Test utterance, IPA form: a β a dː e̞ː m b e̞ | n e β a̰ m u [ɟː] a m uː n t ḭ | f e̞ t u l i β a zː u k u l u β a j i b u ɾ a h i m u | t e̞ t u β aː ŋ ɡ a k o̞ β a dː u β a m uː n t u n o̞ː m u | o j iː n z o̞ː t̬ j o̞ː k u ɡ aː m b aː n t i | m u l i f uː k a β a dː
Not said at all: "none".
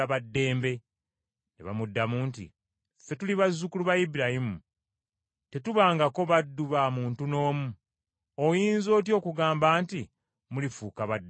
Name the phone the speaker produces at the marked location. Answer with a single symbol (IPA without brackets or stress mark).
dː